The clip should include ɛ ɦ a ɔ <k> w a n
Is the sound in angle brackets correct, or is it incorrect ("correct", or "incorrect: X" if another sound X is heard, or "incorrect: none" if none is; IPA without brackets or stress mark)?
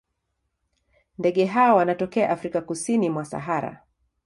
incorrect: none